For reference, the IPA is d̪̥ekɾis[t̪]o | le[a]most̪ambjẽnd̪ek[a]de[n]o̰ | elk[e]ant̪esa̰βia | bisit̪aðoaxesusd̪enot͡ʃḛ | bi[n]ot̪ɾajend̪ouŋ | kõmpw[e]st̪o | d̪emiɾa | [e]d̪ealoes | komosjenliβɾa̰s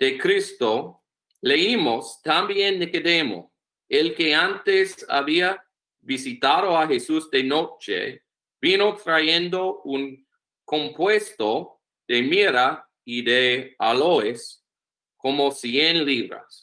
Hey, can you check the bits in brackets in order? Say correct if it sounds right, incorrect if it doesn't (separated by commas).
correct, incorrect, incorrect, incorrect, correct, correct, correct, incorrect